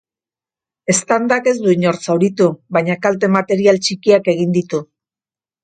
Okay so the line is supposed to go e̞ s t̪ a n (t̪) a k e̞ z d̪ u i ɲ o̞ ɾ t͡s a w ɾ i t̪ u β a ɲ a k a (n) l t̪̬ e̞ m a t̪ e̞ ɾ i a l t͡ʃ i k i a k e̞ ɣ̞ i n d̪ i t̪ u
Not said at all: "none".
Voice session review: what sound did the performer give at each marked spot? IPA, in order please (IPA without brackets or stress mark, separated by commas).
d̪, none